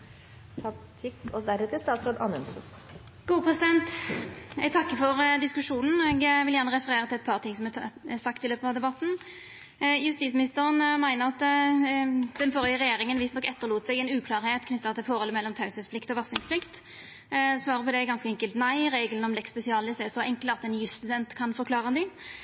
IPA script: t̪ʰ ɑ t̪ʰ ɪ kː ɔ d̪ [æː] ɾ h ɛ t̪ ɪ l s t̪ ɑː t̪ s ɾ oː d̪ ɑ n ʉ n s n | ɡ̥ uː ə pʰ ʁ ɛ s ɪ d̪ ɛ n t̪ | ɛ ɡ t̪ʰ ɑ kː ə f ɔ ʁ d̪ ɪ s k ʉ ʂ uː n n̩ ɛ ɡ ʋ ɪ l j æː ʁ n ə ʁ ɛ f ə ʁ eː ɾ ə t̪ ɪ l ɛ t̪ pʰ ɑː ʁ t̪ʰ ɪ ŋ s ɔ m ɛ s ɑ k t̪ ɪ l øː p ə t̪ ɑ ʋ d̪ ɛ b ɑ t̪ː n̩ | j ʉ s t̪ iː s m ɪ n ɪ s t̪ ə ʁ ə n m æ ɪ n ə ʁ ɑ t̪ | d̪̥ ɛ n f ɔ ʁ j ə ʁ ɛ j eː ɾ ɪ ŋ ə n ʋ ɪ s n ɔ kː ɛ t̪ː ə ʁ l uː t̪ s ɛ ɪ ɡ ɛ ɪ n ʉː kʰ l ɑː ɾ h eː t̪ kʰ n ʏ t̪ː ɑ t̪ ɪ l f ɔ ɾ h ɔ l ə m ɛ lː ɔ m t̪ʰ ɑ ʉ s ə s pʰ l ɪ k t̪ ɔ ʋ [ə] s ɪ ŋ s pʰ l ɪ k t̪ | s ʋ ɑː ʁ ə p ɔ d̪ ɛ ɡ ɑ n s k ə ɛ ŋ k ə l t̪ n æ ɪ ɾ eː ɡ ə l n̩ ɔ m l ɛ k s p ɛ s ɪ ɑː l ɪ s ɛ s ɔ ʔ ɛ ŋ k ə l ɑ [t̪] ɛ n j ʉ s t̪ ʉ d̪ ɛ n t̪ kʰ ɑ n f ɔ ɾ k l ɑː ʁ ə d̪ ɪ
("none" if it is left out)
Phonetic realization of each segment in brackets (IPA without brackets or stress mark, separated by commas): æ, ɑ, t̪